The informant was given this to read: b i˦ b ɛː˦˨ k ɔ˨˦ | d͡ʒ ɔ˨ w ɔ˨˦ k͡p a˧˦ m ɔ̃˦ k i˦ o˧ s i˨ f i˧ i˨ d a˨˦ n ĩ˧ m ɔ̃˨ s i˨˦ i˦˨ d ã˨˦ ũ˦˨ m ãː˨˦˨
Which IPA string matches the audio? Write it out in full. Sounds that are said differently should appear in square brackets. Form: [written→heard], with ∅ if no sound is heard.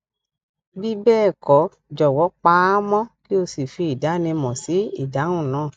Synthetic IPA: b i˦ b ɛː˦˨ k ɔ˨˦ | d͡ʒ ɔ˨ w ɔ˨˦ k͡p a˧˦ m ɔ̃˦ k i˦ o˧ s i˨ f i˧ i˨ d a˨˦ n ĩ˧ m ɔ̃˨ s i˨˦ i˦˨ d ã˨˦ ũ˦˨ [m→n] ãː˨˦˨